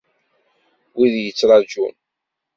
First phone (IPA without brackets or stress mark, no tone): w